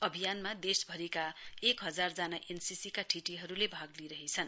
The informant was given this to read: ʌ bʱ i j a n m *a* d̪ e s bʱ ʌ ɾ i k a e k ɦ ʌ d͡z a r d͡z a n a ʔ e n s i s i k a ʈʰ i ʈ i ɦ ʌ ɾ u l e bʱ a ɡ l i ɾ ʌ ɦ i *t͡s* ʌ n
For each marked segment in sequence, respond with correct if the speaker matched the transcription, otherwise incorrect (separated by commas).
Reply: correct, incorrect